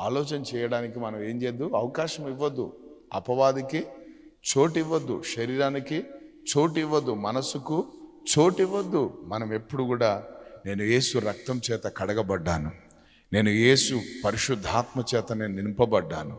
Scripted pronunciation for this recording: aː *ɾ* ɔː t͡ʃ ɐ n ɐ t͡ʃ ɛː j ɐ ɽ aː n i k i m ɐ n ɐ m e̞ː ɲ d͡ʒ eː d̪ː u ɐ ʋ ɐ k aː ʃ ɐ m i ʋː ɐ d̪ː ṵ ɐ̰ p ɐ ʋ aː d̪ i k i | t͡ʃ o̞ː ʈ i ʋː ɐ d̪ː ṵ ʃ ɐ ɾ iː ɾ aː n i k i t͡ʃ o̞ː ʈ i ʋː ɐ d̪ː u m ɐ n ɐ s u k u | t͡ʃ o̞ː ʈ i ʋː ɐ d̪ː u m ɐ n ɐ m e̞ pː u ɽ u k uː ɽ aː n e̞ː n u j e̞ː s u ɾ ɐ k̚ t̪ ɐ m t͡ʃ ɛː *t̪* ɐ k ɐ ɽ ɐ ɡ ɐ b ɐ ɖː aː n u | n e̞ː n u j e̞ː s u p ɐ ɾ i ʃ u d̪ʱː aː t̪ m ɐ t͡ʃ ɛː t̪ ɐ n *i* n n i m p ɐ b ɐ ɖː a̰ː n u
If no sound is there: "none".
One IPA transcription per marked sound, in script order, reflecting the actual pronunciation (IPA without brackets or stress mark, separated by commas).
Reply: l, t̪, e